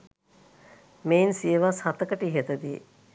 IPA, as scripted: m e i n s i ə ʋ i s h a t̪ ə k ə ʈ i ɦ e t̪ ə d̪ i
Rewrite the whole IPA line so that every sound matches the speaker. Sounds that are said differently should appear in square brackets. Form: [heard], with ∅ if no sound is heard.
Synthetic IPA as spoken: m e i n s i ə ʋ [a] s h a t̪ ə k ə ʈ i ɦ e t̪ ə d̪ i